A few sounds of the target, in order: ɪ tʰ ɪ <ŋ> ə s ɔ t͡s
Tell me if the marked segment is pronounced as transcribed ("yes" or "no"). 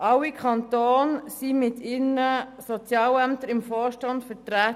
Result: no